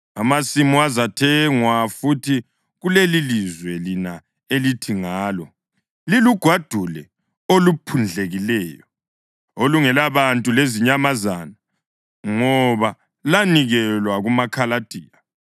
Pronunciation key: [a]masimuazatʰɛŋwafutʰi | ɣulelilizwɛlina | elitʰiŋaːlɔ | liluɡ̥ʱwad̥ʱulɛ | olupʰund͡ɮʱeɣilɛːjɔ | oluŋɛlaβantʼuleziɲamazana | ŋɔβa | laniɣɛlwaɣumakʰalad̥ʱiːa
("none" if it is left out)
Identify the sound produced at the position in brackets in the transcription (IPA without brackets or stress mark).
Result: a